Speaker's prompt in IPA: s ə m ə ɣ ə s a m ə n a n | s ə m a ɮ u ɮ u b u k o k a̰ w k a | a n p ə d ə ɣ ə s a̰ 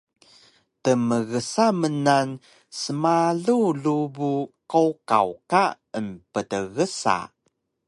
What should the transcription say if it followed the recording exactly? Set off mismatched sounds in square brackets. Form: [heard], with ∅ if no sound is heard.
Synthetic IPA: [t] ə m ə ɣ ə s a m ə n a n | s ə m a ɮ u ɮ u b u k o k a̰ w k a | [ə] n p ə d ə ɣ ə s a̰